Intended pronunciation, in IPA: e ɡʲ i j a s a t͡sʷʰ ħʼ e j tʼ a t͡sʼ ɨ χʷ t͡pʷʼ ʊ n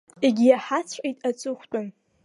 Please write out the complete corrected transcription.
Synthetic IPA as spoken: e ɡʲ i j a ħ a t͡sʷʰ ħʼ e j tʼ a t͡sʼ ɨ χʷ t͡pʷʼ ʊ n